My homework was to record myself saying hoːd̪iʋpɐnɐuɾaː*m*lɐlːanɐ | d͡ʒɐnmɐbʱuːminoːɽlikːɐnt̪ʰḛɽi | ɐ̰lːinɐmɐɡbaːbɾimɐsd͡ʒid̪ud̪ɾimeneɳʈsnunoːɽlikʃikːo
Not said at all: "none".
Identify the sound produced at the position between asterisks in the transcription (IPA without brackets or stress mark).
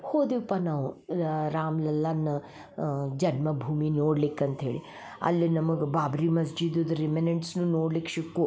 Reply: m